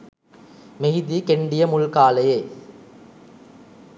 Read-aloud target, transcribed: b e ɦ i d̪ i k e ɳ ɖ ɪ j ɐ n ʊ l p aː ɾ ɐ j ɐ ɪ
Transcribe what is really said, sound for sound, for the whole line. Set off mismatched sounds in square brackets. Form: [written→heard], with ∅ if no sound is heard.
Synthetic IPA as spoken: [b→m] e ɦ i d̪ i k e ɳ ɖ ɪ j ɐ [n→m] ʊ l [p→k] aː [ɾ→l] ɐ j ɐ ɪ